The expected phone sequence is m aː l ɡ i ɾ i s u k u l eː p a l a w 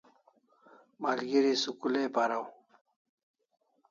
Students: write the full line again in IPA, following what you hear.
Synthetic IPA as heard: m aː l ɡ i ɾ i s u k u l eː p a ɾ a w